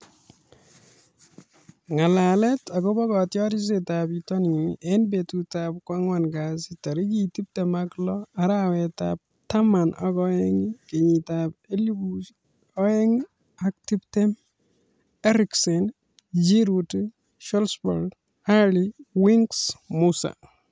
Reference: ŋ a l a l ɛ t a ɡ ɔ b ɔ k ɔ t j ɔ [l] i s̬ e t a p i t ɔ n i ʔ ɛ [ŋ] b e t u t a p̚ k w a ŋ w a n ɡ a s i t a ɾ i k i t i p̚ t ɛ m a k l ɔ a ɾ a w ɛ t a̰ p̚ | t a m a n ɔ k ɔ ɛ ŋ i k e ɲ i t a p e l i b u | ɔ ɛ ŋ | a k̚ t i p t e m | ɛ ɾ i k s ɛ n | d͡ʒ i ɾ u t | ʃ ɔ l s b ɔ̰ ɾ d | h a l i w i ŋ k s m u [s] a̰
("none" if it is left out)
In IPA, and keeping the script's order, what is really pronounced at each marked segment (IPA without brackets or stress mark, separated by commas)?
ɾ, n, s